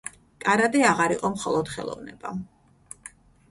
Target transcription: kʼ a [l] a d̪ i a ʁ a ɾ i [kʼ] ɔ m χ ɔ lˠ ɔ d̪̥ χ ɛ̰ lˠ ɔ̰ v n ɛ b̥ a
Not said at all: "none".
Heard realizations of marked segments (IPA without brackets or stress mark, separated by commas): ɾ, qʼ